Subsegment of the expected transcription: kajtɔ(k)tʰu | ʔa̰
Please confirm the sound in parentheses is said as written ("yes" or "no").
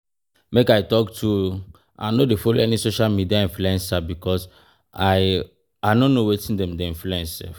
yes